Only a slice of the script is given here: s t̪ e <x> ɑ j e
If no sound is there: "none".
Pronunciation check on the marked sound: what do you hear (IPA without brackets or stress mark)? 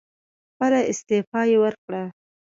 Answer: f